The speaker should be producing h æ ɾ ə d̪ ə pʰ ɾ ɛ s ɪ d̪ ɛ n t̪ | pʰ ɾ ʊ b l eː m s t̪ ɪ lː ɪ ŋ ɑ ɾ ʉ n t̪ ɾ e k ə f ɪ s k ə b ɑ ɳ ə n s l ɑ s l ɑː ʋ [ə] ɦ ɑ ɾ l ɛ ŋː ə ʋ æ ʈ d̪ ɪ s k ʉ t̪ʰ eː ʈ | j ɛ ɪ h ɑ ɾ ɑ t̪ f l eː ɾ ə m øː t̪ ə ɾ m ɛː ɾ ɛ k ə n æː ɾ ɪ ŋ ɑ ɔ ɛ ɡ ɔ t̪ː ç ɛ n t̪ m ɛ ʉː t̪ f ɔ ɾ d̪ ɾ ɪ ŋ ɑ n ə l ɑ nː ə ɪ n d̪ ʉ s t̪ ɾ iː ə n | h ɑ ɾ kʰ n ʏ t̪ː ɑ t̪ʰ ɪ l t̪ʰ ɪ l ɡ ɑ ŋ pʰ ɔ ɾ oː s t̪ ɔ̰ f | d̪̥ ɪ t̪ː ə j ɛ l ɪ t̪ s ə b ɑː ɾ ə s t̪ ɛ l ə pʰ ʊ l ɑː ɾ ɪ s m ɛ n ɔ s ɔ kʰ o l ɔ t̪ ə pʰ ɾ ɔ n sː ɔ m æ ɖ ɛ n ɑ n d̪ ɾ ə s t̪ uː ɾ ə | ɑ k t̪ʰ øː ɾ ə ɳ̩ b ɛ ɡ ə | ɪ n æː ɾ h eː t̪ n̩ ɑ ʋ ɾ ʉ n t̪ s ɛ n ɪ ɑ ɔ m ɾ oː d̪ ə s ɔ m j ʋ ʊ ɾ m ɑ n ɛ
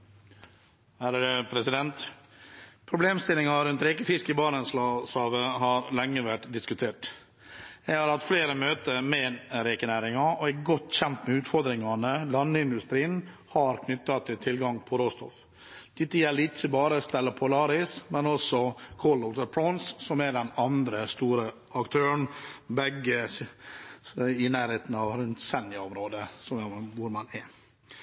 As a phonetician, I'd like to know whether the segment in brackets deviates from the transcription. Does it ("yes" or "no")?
no